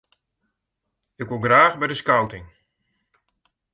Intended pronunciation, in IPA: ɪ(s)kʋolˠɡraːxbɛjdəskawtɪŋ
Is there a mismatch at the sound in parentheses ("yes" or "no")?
yes